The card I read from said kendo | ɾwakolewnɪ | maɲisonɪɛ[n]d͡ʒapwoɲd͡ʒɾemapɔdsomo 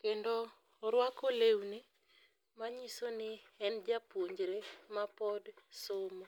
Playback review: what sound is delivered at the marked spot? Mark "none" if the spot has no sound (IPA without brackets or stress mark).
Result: n